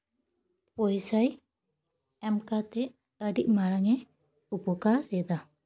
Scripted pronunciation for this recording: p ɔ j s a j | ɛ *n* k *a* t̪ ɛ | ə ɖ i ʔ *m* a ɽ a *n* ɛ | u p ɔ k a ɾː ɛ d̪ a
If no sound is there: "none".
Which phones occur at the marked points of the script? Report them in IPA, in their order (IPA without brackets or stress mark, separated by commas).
m, a, m, ŋ